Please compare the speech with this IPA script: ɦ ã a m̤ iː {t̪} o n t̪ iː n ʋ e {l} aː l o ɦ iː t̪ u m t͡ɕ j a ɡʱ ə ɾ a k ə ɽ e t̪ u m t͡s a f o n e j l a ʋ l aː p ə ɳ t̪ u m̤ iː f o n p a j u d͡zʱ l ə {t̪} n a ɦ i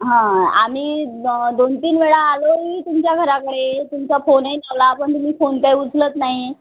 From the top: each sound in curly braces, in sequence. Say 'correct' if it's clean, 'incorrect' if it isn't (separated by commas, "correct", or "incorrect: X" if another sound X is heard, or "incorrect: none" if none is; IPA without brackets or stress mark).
incorrect: d̪, incorrect: ɭ, correct